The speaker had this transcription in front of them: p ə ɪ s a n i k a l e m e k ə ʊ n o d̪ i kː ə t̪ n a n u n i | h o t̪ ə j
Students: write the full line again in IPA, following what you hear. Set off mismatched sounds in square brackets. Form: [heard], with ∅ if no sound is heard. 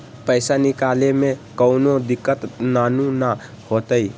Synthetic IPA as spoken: p ə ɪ s a n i k a l e m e k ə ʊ n o d̪ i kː ə t̪ n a n u n [a] | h o t̪ ə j